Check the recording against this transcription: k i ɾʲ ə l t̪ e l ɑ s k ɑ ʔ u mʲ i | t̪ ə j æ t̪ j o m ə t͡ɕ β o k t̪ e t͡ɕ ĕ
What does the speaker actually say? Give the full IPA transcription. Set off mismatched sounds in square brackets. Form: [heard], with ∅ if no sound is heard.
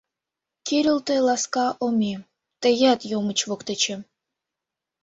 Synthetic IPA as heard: k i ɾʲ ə l t̪ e l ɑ s k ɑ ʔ [o] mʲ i | t̪ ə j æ t̪ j o m ə t͡ɕ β o k t̪ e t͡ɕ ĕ